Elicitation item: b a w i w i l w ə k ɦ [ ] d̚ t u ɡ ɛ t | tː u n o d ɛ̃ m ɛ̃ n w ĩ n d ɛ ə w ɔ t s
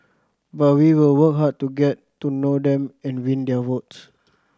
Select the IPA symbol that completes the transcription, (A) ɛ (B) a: B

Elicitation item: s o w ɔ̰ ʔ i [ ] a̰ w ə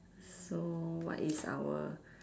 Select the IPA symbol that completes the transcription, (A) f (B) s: B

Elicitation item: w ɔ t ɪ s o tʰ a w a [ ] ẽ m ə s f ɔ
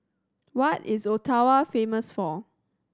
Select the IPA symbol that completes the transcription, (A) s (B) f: B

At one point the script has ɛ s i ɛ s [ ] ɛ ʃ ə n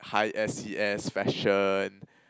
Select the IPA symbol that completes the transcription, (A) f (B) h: A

